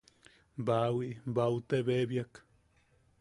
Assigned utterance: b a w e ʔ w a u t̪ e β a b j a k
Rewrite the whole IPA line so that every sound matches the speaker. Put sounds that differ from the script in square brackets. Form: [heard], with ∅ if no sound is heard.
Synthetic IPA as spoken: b a w [i] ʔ [b] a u t̪ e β [e] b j a k